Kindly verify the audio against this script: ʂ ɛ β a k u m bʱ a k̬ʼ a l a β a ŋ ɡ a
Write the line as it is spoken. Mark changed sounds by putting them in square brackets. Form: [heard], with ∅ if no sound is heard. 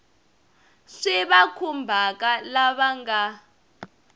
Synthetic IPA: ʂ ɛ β a [kʰ] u m bʱ a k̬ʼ a l a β a ŋ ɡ a